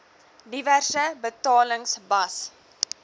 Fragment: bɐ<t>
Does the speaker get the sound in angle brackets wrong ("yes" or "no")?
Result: yes